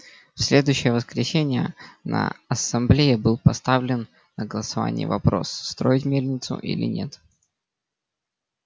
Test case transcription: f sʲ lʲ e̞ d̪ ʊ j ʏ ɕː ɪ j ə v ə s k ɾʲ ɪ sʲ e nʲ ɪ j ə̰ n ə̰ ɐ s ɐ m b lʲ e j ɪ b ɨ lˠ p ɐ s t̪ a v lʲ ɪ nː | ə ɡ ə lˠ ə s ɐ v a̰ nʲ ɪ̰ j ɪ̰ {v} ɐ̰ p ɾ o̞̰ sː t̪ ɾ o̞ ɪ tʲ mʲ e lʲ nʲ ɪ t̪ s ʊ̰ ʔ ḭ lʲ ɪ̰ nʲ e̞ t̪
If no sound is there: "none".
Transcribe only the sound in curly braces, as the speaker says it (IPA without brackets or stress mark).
v